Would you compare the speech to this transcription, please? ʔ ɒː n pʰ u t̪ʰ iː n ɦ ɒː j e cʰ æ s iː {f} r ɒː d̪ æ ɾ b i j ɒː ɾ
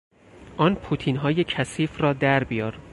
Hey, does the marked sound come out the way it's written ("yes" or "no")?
yes